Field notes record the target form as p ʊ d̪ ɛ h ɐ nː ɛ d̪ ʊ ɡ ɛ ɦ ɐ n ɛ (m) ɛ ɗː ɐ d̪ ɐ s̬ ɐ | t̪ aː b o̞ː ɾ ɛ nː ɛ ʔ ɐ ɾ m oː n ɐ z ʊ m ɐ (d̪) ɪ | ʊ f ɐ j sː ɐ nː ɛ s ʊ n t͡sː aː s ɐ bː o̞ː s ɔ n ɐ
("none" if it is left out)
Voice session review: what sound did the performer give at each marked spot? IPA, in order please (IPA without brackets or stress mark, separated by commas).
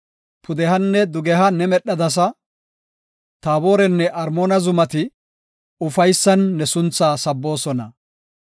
m, t̪